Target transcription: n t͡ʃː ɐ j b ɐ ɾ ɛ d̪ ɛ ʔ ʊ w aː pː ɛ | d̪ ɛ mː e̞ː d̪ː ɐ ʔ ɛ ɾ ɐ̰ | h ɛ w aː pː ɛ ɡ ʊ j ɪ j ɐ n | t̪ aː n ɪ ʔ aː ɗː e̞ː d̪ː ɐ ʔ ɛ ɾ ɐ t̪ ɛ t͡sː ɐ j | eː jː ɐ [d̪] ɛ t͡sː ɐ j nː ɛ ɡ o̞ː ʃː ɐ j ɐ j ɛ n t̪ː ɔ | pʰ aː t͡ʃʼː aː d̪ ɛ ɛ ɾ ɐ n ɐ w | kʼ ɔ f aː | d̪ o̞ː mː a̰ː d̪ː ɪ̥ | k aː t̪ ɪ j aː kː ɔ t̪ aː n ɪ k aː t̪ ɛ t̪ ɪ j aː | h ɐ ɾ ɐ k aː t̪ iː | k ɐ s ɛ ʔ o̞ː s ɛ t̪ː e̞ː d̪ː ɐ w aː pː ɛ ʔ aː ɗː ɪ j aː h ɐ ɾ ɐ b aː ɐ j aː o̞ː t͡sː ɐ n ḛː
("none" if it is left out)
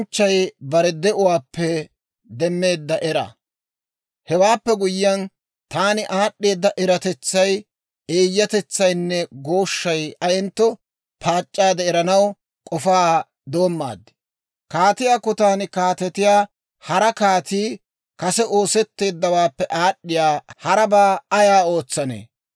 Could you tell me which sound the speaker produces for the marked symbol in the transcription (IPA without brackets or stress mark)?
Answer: t̪